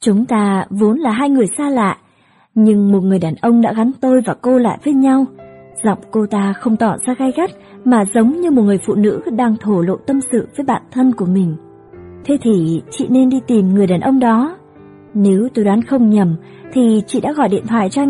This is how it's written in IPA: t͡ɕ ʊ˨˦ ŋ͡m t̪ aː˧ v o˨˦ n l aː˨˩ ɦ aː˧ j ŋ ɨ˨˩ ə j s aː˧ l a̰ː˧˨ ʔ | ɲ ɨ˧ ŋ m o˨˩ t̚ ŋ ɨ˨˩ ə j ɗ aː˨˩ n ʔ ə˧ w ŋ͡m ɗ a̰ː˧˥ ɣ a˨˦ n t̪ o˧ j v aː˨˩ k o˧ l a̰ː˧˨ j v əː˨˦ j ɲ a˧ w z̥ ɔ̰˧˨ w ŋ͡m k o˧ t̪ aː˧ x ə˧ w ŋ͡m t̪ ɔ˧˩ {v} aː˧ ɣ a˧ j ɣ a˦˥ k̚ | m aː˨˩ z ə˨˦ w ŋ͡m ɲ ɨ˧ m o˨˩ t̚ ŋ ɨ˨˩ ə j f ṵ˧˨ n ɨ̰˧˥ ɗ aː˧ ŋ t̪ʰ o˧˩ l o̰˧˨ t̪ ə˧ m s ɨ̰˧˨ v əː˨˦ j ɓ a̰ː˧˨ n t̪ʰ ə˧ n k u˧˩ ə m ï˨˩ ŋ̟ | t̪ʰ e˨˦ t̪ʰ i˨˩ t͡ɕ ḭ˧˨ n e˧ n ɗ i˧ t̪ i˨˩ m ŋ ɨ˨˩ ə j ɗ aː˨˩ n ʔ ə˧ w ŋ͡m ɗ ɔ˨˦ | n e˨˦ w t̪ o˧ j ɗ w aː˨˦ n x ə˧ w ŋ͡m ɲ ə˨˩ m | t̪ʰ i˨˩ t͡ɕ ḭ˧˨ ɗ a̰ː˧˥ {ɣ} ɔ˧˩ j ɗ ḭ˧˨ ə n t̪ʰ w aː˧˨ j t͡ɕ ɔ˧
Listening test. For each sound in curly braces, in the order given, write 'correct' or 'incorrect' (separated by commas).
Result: incorrect, correct